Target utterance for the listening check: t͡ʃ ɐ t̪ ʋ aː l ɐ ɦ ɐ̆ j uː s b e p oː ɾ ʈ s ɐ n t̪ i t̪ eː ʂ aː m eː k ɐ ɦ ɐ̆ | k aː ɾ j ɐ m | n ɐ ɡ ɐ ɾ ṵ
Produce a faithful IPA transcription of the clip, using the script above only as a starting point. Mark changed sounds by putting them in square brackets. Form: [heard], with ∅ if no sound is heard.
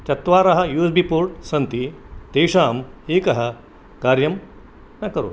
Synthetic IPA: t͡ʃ ɐ t̪ ʋ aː [ɾ] ɐ ɦ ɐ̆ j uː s b [i] p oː ɾ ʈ s ɐ n t̪ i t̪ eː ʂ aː m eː k ɐ ɦ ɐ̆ | k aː ɾ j ɐ m | n ɐ [k] ɐ ɾ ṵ